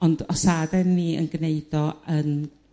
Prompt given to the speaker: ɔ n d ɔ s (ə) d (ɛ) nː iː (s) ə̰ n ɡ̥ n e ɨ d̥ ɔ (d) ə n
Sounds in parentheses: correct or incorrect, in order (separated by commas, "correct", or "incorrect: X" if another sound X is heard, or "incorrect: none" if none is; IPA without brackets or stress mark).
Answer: incorrect: a, correct, incorrect: none, incorrect: none